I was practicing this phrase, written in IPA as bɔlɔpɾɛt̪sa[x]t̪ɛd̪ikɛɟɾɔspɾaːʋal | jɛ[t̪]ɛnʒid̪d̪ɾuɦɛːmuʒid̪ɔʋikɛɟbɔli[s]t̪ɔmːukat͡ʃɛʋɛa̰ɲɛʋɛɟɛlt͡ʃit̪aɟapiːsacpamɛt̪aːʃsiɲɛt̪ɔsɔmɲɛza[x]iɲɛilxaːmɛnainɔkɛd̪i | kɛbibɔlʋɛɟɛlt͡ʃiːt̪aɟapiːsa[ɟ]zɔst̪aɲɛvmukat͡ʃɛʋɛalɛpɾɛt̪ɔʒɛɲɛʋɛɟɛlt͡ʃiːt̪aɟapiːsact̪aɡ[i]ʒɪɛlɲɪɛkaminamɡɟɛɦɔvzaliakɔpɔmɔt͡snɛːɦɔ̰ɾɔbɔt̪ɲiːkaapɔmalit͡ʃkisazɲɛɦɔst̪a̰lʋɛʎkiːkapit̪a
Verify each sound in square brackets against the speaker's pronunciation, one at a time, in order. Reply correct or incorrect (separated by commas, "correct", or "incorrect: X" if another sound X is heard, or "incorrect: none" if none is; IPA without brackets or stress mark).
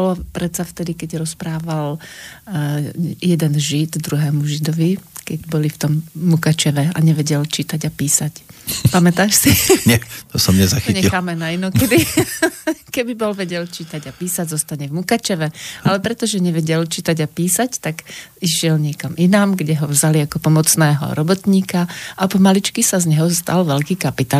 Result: incorrect: f, incorrect: d̪, incorrect: f, correct, correct, correct